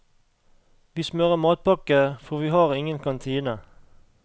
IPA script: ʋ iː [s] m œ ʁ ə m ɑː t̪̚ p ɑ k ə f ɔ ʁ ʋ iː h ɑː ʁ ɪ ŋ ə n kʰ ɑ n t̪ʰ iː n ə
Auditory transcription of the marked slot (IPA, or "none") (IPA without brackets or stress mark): s